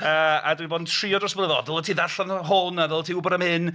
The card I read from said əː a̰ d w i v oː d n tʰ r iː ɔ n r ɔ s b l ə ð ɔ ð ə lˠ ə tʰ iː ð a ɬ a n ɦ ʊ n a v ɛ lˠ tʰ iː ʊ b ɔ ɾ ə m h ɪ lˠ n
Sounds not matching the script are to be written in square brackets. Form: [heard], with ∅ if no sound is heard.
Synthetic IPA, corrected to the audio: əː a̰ d w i [b] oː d n tʰ r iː ɔ [d] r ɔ s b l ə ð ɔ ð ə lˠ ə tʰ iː ð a ɬ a n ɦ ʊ n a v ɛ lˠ tʰ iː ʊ b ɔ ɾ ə m h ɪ [∅] n